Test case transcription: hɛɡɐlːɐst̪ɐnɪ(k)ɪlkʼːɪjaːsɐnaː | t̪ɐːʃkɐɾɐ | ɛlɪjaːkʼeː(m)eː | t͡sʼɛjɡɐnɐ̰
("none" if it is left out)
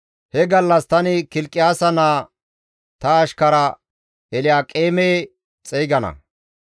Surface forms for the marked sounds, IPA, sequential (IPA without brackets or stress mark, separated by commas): k, m